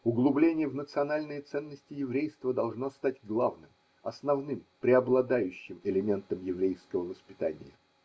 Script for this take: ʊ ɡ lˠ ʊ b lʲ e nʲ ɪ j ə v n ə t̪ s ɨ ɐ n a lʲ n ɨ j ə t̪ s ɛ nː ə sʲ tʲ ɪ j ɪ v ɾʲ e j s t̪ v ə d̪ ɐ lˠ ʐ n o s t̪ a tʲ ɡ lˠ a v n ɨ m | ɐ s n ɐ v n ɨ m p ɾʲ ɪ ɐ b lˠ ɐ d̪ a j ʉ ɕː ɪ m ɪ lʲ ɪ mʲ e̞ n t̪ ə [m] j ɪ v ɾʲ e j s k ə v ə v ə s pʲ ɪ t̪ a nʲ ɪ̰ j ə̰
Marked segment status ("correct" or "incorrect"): correct